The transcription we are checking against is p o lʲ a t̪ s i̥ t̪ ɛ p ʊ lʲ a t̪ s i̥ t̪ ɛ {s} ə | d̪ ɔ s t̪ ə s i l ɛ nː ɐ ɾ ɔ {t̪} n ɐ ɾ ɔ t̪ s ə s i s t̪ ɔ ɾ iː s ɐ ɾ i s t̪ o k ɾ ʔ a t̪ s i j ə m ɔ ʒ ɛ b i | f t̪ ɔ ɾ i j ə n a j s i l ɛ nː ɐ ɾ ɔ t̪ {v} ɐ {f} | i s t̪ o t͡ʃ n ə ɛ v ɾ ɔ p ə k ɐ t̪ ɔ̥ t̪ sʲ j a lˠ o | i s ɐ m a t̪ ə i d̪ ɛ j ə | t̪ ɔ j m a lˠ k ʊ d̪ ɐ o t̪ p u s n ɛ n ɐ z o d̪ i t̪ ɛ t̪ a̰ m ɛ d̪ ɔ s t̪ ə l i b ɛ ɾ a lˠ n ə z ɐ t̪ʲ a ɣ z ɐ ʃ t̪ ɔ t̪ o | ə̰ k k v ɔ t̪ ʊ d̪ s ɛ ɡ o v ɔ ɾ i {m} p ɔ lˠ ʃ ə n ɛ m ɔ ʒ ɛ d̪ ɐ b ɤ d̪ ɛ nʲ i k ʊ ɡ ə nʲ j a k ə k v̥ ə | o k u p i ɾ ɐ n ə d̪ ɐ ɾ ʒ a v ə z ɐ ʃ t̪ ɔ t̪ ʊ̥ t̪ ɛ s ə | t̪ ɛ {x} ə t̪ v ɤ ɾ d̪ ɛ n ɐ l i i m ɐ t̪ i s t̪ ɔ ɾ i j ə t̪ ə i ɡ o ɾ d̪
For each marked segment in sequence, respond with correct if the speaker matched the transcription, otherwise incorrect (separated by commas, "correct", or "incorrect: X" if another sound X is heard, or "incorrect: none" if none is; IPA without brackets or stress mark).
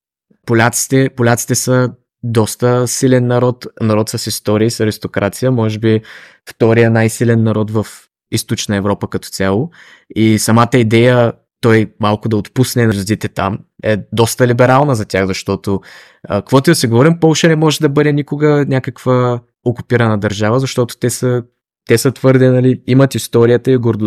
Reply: correct, correct, correct, correct, correct, incorrect: s